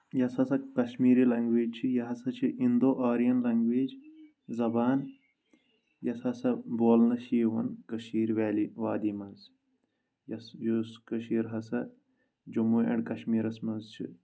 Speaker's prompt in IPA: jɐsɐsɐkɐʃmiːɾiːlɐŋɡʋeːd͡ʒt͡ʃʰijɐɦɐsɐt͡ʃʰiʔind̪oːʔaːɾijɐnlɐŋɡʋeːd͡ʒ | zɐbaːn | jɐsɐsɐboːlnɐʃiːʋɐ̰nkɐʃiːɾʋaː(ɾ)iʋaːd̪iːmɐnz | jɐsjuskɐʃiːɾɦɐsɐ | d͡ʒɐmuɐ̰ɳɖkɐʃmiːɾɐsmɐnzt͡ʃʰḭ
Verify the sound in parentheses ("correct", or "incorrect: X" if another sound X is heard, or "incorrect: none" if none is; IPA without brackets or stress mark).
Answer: incorrect: l